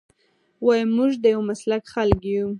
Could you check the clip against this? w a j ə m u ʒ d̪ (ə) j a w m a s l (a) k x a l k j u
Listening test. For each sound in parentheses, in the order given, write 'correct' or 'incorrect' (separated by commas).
correct, correct